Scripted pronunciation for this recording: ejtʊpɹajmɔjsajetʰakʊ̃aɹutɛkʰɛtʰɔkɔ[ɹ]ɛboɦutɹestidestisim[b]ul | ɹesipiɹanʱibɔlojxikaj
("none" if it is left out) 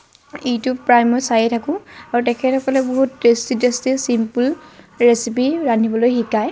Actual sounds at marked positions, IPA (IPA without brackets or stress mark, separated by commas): l, p